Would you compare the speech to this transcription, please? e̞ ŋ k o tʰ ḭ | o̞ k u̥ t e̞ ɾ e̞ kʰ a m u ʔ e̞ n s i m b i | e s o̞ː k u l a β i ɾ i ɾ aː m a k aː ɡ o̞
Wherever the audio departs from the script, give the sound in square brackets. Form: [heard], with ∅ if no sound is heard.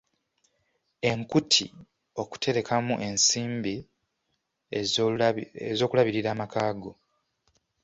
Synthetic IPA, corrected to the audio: e̞ ŋ k [u] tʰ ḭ | o̞ k u̥ t e̞ ɾ e̞ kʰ a m u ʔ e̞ n s [iː] m b i | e [z] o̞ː k u l a β i ɾ i ɾ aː m a k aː ɡ o̞